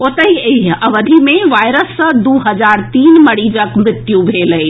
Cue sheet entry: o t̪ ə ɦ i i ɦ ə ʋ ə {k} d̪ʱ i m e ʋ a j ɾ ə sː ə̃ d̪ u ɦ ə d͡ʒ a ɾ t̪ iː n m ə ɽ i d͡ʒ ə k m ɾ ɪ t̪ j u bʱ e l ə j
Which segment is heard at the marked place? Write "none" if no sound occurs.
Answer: none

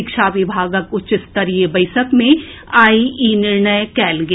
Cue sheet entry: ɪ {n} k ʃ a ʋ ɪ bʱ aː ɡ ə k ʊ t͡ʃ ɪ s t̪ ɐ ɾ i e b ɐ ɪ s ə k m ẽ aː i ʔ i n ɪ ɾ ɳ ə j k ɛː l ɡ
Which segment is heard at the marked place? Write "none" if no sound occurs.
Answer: none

